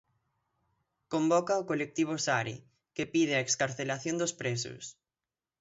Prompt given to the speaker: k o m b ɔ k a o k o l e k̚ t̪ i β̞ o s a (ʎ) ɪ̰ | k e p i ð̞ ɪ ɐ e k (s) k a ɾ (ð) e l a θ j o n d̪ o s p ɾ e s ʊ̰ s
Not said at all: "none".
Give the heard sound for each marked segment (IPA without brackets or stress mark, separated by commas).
ɾ, s, θ